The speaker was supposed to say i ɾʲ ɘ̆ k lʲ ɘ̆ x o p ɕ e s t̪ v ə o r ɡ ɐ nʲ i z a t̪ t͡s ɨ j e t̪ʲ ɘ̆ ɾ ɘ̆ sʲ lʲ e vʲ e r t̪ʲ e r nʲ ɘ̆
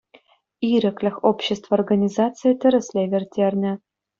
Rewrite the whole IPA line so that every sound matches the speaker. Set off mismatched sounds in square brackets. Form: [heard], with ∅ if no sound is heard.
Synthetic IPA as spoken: i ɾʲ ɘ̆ k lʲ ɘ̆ x o p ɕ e s t̪ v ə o r ɡ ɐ nʲ i z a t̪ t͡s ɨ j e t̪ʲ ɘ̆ ɾ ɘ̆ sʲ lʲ e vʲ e r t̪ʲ e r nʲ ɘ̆